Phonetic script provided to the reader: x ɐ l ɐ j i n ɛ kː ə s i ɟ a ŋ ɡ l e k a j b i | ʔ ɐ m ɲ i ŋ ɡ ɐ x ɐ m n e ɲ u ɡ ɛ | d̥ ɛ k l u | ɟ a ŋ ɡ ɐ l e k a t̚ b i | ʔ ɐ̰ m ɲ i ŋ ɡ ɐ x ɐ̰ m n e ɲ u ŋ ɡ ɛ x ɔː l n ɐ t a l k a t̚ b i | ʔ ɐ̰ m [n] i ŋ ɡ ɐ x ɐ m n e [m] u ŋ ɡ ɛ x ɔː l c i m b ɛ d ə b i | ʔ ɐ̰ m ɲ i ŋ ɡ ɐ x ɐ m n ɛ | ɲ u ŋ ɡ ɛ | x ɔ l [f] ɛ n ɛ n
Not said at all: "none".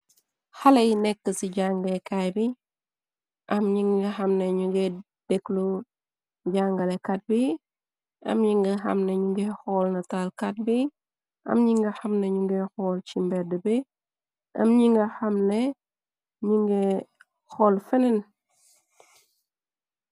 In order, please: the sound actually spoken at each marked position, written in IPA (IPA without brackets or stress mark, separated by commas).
ɲ, ɲ, f